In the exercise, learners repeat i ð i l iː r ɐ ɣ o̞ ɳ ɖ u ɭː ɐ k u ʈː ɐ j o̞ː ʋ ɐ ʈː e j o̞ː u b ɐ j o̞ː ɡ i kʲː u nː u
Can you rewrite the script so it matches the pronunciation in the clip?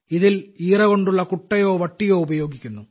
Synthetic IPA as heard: i ð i l iː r ɐ ɣ o̞ ɳ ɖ u ɭː ɐ k u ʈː ɐ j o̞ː ʋ ɐ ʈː i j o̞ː u b ɐ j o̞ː ɡ i kʲː u nː u